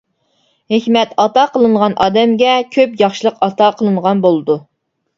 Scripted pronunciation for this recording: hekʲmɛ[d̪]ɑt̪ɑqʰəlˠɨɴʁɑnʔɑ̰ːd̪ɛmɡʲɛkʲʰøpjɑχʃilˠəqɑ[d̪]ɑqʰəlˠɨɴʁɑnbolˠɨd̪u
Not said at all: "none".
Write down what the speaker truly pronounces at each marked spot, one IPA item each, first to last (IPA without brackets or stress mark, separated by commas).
t̪, t̪